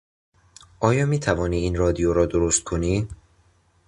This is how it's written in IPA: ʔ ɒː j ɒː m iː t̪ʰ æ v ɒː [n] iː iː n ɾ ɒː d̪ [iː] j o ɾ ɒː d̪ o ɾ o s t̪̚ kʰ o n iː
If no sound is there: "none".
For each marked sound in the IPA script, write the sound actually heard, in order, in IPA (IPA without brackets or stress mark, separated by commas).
n, i